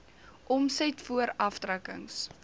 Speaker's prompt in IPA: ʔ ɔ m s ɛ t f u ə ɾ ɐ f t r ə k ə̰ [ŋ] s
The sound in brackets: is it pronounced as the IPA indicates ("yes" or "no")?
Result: yes